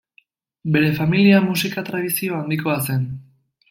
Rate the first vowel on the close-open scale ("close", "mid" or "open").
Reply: mid